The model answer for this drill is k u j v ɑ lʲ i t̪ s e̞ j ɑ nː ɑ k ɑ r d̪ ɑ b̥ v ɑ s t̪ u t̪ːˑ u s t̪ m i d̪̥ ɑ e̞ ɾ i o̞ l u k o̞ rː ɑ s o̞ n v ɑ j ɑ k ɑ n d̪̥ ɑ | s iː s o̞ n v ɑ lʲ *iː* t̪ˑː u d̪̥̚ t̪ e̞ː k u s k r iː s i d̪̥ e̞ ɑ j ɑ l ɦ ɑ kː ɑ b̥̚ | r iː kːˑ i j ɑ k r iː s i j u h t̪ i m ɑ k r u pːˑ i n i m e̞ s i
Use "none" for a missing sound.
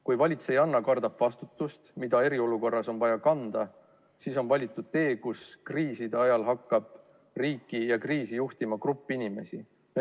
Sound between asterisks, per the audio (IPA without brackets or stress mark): i